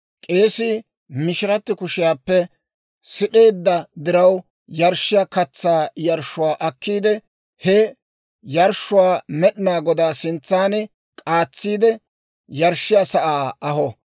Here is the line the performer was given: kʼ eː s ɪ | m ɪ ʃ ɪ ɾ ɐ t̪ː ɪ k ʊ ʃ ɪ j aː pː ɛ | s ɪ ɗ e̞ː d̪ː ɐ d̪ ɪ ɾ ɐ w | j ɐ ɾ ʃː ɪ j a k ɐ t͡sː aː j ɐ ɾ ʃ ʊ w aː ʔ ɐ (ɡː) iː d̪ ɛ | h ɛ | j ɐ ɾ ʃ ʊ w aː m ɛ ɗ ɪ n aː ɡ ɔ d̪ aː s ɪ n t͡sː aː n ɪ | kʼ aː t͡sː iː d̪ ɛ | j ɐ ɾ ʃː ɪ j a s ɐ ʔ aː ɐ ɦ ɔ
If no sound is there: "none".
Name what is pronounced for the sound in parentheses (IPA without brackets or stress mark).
kː